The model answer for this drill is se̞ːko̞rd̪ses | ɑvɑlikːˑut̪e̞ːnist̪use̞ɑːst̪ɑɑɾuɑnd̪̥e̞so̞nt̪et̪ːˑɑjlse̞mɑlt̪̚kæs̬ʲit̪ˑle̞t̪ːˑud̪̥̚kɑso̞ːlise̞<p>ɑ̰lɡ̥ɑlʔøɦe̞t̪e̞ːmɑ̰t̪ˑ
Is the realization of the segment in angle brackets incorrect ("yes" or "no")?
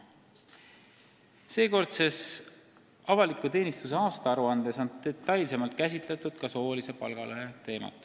no